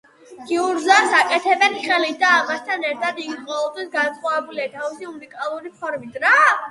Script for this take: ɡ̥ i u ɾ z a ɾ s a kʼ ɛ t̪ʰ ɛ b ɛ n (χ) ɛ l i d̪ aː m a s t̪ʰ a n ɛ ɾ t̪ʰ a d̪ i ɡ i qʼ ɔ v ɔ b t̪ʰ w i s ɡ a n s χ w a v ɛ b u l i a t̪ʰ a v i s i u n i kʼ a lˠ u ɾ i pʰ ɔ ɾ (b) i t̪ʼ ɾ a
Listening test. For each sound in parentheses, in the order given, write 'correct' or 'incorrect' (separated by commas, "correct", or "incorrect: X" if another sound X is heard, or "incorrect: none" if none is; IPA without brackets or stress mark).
correct, incorrect: m